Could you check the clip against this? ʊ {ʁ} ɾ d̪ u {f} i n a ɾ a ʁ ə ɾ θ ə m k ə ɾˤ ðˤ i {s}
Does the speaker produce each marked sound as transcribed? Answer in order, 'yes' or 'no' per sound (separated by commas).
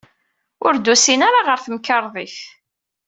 no, no, no